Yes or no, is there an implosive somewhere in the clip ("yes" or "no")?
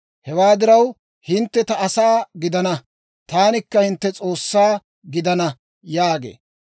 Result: no